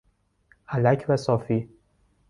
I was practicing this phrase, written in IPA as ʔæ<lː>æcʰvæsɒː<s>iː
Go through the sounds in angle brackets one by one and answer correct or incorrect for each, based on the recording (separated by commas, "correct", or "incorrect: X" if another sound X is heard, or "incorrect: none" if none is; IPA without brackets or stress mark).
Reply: incorrect: l, incorrect: f